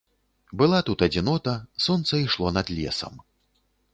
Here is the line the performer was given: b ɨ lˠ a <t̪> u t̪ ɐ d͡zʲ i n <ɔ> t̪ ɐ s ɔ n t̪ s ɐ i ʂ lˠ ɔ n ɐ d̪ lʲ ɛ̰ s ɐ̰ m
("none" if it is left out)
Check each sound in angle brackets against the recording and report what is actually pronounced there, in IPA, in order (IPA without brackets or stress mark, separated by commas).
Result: t̪, ɔ